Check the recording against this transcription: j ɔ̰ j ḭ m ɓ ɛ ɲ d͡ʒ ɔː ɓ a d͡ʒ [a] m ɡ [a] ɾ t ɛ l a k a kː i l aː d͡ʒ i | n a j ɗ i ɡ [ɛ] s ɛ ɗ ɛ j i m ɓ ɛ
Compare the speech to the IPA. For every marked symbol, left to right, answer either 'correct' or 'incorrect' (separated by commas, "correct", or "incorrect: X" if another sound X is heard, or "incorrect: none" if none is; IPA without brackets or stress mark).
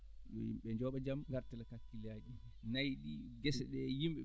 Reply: correct, correct, correct